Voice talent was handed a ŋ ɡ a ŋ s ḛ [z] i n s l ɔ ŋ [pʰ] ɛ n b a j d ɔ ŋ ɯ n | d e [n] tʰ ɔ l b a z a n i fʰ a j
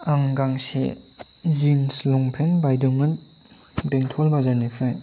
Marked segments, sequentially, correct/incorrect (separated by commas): correct, correct, incorrect